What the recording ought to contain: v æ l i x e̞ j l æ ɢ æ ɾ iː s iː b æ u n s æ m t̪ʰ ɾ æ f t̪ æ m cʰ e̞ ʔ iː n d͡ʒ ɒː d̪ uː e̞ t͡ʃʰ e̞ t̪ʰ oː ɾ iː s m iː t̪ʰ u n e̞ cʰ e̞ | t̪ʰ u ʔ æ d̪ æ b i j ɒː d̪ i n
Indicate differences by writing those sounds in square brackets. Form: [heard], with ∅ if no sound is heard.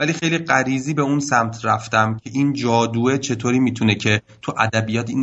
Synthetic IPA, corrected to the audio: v æ l i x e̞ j l [i] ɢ æ ɾ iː [z] iː b [e] u n s æ m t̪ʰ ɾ æ f t̪ æ m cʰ e̞ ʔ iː n d͡ʒ ɒː d̪ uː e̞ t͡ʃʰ e̞ t̪ʰ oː ɾ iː [∅] m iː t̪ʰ u n e̞ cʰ e̞ | t̪ʰ u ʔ æ d̪ æ b i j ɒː [t̪] i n